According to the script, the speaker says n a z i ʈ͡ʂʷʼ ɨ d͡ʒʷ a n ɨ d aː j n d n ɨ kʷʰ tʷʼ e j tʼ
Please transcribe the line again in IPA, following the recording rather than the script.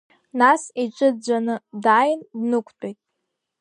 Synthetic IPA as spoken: n a s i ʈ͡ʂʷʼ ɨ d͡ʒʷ a n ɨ d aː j n d n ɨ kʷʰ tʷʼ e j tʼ

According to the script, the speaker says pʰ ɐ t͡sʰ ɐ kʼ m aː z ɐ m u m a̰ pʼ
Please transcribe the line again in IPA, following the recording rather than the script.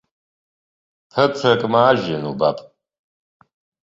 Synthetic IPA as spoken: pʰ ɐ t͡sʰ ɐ kʼ m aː ʒ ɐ n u b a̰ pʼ

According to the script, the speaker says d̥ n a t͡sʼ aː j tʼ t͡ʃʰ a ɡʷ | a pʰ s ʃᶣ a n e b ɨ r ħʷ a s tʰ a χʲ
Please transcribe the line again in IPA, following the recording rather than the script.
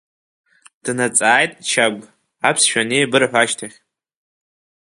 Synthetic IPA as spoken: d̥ n a t͡sʼ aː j tʼ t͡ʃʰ a ɡʷ | a pʰ s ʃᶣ a n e b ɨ r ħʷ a ʃ tʰ a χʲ

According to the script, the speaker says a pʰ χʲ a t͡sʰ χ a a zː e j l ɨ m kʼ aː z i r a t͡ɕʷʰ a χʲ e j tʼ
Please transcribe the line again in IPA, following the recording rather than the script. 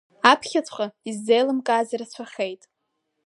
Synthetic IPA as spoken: a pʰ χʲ a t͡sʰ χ a i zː e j l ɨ m kʼ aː z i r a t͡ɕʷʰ a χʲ e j tʼ

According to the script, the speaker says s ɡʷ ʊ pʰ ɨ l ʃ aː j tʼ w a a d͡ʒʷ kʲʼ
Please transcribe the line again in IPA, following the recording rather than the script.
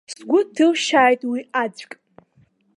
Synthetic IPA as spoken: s ɡʷ ʊ tʰ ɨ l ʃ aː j tʼ w i a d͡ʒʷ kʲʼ

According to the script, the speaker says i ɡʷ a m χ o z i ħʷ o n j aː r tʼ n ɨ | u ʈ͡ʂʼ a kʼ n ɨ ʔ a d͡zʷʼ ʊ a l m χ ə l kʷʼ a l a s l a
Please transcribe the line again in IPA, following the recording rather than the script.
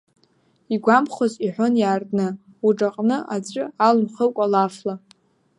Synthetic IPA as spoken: i ɡʷ a m χ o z i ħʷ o n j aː r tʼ n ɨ | u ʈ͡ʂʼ a qʼ n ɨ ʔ a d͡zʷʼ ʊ a l m χ ə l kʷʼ a l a f l a

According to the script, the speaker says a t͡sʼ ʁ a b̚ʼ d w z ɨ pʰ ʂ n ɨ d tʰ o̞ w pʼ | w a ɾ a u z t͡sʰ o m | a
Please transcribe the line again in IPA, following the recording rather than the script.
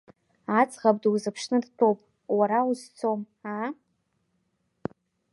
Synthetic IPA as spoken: a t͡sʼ ʁ a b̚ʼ d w z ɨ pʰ ʂ n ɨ d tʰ o̞ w pʼ | w a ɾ a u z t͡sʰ o m | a

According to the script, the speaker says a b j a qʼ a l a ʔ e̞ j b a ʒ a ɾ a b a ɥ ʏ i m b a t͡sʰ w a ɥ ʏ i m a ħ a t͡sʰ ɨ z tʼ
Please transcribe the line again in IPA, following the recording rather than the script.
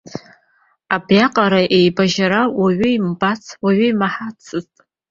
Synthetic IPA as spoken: a b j a qʼ a ɾ a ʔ e̞ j b a ʒ a ɾ a w a ɥ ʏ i m b a t͡sʰ w a ɥ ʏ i m a ħ a t͡sʰ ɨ z tʼ

